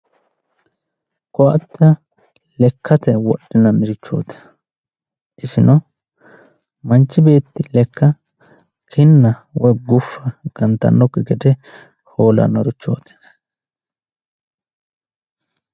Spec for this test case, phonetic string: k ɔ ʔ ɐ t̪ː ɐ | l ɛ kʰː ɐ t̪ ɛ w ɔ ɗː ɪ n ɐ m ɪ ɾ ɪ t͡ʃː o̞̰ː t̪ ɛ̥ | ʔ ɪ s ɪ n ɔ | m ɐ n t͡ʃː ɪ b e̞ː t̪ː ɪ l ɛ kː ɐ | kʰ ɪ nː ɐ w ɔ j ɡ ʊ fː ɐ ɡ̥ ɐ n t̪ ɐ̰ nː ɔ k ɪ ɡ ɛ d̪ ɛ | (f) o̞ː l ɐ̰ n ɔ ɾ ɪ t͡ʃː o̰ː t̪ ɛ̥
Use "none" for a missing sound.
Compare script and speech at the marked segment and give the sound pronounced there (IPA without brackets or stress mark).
h